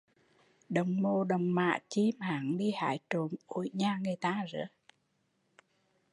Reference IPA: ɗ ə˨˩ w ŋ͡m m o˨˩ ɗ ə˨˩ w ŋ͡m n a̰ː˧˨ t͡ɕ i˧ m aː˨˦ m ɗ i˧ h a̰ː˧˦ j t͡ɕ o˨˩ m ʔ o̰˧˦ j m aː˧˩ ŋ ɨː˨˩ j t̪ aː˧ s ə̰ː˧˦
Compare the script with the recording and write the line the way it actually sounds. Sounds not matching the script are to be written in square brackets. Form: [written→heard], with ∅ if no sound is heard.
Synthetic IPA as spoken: ɗ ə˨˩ w ŋ͡m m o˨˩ ɗ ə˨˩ w ŋ͡m [n→m] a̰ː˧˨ t͡ɕ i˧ m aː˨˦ [m→ŋ] ɗ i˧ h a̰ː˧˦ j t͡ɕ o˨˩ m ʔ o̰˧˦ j [m→ɲ] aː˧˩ ŋ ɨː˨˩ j t̪ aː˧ [s→z] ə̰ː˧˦